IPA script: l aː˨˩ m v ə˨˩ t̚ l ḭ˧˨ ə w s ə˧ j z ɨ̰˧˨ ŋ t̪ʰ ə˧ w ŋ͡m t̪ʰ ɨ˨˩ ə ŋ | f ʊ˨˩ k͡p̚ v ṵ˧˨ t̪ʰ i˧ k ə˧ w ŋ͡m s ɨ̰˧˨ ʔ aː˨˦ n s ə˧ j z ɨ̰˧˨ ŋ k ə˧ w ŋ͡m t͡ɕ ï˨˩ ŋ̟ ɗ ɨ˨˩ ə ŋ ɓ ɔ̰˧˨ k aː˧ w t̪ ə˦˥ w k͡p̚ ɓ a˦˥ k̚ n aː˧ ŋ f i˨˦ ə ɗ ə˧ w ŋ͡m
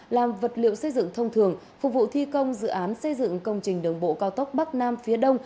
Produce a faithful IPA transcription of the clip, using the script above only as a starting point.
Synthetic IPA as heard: l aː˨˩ m v ə˨˩ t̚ l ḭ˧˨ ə w s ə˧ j z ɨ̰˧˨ ŋ t̪ʰ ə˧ w ŋ͡m t̪ʰ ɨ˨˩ ə ŋ | f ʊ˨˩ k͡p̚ v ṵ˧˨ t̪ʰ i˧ k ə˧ w ŋ͡m z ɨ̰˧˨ ʔ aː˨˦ n s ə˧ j z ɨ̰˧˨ ŋ k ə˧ w ŋ͡m t͡ɕ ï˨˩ ŋ̟ ɗ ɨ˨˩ ə ŋ ɓ o̰˧˨ k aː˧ w t̪ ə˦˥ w k͡p̚ ɓ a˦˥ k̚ n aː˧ m f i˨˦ ə ɗ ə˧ w ŋ͡m